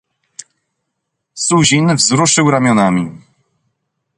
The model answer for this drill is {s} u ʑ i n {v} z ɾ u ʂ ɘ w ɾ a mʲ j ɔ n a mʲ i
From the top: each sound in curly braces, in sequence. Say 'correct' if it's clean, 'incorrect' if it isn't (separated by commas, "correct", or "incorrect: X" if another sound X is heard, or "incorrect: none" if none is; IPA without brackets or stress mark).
correct, correct